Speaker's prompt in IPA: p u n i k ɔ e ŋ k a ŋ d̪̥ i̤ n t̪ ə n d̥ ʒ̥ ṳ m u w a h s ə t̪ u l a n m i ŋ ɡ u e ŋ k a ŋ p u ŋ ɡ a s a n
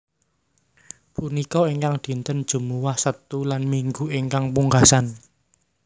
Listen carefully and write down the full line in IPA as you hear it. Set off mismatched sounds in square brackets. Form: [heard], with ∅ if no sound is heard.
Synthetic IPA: p u n i k ɔ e ŋ k a ŋ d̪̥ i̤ n t̪ ə n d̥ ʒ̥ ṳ m u w a h s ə t̪ u l a n m i ŋ ɡ u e ŋ k a ŋ p u ŋ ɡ a s a n